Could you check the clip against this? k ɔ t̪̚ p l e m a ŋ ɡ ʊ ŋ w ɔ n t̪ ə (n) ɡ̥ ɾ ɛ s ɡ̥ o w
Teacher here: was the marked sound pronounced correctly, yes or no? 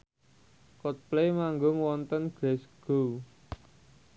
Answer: yes